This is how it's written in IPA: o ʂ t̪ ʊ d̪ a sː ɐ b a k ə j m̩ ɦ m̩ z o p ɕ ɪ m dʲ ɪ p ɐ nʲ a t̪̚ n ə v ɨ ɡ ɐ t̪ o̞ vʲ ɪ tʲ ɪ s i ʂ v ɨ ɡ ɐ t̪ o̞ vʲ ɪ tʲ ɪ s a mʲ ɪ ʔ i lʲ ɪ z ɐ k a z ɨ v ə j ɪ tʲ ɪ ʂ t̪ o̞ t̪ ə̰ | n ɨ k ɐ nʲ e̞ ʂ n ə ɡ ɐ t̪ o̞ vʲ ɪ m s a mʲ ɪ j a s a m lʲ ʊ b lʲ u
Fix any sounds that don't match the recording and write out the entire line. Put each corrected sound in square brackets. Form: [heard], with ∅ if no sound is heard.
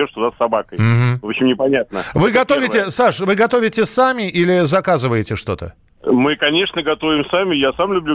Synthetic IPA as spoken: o ʂ t̪ ʊ d̪ a sː ɐ b a k ə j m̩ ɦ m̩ [v] o p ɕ ɪ m [nʲ] ɪ p ɐ nʲ a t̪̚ n ə v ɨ ɡ ɐ t̪ o̞ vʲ ɪ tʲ ɪ s [a] ʂ v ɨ ɡ ɐ t̪ o̞ vʲ ɪ tʲ ɪ s a mʲ ɪ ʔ i lʲ ɪ z ɐ k a z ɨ v ə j ɪ tʲ ɪ ʂ t̪ o̞ t̪ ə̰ | [m] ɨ k ɐ nʲ e̞ ʂ n ə ɡ ɐ t̪ o̞ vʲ ɪ m s a mʲ ɪ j a s a m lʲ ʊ b lʲ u